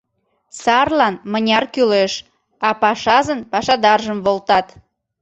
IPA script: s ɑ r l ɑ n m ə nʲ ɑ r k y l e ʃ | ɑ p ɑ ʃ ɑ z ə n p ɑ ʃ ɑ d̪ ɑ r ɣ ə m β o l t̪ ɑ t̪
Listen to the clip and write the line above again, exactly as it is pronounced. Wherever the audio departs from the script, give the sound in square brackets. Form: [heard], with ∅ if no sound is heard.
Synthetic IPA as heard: s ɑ r l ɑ n m ə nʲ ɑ r k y l e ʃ | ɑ p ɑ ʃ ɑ z ə n p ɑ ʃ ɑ d̪ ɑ r [ʒ] ə m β o l t̪ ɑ t̪